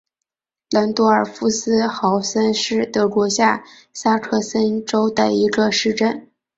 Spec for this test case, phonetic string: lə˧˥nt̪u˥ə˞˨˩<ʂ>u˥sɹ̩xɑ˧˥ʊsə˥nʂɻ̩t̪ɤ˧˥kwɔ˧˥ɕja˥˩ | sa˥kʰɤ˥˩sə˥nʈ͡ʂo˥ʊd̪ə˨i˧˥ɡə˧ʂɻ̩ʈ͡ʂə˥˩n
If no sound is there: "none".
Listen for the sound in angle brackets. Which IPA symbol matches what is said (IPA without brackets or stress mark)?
f